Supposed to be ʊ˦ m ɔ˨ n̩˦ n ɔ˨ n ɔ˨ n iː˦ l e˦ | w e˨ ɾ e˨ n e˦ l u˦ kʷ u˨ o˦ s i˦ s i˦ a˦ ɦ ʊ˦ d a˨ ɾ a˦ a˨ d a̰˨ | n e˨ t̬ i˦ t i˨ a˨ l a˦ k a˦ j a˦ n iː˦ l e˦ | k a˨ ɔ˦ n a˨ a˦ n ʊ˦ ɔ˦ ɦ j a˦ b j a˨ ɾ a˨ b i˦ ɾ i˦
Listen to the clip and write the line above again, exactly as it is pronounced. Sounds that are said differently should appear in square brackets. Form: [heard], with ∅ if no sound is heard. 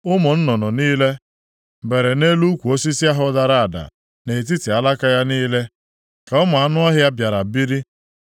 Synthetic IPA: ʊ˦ m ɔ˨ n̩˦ n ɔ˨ n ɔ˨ n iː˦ l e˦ | [b] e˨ ɾ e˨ n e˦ l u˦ kʷ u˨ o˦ s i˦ s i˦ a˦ ɦ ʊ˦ d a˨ ɾ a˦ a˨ d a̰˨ | n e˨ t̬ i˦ t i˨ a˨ l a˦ k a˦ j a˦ n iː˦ l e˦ | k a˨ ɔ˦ [m] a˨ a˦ n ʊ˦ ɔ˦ ɦ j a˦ b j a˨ ɾ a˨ b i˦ ɾ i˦